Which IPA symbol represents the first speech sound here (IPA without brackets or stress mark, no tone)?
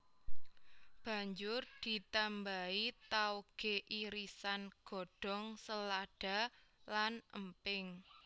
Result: b̥